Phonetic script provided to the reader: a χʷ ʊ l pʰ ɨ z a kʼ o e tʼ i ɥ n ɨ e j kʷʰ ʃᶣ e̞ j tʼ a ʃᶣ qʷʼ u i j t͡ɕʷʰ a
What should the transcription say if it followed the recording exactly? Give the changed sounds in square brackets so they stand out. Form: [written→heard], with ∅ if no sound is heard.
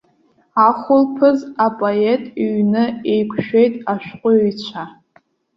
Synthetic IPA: a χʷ ʊ l pʰ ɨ z a [kʼ→pʼ] o e tʼ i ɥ n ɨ e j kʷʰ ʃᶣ e̞ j tʼ a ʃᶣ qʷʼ [u→ʊ] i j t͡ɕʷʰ a